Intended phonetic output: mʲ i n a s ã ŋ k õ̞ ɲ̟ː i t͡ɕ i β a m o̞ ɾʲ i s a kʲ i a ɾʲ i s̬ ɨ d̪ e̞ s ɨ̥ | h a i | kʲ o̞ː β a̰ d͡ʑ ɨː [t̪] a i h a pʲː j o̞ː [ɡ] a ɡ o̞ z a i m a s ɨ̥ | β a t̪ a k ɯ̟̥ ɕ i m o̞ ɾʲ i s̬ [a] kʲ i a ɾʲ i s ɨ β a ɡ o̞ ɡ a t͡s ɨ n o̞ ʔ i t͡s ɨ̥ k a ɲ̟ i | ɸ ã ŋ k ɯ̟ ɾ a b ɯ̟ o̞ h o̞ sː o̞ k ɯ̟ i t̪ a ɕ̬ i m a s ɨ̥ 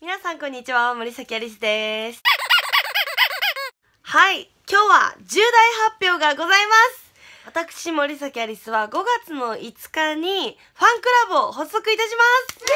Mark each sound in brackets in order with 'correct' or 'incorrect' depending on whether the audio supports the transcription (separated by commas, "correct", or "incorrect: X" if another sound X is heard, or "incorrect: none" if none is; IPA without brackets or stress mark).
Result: incorrect: d̪, correct, correct